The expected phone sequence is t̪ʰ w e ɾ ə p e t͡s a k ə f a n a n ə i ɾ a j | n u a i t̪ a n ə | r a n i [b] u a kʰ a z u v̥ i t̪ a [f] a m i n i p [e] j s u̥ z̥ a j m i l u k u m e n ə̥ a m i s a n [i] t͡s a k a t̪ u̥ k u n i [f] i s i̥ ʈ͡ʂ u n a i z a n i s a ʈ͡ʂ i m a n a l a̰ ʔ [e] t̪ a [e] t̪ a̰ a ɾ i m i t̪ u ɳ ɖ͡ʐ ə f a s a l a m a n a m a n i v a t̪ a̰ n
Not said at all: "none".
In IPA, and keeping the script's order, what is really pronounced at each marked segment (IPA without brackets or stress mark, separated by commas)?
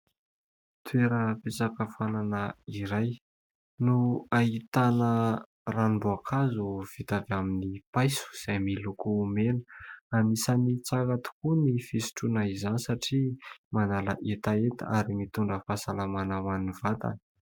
b, v, a, i, f, e, e